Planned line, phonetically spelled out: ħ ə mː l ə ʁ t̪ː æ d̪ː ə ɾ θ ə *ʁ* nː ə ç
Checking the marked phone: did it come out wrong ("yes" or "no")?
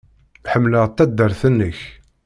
yes